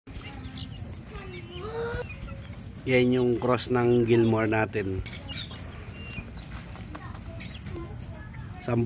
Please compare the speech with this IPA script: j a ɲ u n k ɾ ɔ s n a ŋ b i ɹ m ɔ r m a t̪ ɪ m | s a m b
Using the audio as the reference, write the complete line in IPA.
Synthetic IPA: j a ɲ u ŋ k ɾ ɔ s n a ŋ ɡ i l m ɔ r n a t̪ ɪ n | s a m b